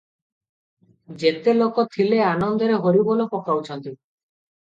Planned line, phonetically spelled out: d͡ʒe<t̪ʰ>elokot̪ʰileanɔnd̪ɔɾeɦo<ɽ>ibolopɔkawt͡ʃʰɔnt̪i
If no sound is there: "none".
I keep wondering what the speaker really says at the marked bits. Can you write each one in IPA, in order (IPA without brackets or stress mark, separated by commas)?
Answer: t̪, ɾ